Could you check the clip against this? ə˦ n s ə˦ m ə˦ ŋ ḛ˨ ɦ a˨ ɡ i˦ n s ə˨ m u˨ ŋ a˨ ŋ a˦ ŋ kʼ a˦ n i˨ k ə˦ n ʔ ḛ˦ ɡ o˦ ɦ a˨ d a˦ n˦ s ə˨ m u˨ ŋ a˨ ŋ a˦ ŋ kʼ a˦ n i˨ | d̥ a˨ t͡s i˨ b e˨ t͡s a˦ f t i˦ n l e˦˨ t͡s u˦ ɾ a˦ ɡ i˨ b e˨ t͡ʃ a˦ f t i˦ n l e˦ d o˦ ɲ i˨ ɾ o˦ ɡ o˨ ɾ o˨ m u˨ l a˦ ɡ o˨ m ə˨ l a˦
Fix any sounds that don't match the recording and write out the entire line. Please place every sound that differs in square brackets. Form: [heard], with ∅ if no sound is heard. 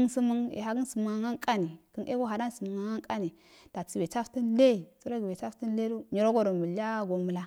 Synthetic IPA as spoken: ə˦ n s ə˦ m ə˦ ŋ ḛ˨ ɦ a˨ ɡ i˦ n s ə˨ m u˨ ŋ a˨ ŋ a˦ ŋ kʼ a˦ n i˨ k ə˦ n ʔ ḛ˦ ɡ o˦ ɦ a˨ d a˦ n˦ s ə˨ m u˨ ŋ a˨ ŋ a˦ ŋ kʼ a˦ n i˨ | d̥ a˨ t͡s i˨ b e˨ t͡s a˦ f t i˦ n l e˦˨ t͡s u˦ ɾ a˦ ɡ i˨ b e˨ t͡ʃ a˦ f t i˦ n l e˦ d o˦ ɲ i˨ ɾ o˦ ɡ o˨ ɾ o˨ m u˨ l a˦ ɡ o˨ m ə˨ l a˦